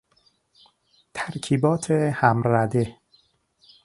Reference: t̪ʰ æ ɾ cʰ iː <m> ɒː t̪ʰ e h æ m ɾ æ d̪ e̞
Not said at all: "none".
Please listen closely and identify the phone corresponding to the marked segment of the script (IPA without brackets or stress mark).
b